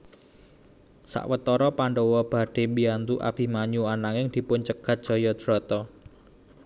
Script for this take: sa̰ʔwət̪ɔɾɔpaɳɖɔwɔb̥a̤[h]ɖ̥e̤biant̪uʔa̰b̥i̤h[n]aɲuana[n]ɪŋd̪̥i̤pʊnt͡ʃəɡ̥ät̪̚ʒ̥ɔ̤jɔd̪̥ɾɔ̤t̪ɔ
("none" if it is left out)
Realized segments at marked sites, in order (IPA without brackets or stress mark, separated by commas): none, m, ŋ